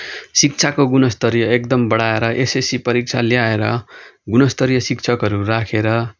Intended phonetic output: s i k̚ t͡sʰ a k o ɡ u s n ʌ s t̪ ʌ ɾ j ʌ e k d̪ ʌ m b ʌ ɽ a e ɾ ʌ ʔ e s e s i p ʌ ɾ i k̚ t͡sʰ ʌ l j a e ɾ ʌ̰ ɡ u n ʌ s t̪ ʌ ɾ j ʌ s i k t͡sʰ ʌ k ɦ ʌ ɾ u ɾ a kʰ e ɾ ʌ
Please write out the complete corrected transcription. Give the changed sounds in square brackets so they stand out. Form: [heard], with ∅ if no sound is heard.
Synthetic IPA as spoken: s i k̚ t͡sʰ a k o ɡ u [∅] n ʌ s t̪ ʌ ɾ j ʌ e k d̪ ʌ m b ʌ ɽ a e ɾ ʌ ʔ e s e s i p ʌ ɾ i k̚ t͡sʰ [a] l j a e ɾ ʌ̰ ɡ u n ʌ s t̪ ʌ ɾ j ʌ s i k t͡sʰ ʌ k ɦ ʌ ɾ u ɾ a kʰ e ɾ ʌ